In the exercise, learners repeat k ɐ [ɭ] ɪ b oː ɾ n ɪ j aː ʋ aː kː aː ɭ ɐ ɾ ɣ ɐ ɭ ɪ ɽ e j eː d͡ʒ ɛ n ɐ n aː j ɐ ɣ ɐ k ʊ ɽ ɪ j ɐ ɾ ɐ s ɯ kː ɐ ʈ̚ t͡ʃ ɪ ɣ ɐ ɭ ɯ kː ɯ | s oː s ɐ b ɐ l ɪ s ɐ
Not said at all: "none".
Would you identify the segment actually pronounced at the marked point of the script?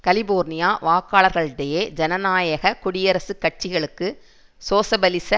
l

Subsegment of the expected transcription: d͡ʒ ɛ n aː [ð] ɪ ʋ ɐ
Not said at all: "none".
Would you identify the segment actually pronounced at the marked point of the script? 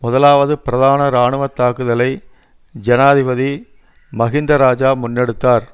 ð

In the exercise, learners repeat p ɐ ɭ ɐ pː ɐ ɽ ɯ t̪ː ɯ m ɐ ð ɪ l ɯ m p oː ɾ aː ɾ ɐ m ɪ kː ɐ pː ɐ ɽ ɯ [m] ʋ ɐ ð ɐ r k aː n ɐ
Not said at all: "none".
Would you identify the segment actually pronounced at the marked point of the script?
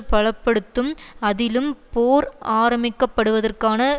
none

